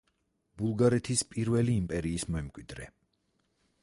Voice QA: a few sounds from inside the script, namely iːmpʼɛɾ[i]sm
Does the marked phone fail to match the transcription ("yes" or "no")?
yes